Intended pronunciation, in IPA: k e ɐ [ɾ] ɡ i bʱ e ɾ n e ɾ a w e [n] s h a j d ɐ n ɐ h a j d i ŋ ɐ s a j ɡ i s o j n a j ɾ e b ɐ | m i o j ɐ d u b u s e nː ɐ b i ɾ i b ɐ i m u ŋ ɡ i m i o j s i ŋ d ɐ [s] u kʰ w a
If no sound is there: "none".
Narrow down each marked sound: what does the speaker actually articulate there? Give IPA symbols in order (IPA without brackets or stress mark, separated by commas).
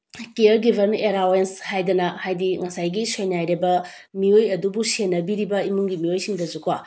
ɾ, n, z